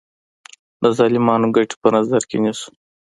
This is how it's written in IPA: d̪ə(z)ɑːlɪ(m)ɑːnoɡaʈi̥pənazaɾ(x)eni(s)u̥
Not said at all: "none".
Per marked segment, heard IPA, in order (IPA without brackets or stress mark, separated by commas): z, m, k, s